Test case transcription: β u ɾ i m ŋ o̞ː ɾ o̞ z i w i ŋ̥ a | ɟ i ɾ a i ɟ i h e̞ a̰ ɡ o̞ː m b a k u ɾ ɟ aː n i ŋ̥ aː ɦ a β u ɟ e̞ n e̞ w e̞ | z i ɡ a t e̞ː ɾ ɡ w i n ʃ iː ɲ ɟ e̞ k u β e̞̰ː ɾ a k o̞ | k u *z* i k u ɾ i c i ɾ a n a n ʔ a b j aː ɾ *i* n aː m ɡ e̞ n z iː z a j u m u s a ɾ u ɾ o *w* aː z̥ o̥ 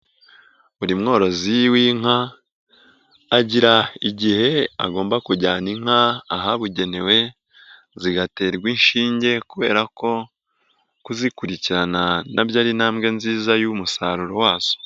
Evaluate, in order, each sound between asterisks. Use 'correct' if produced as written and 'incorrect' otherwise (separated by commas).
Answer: correct, correct, correct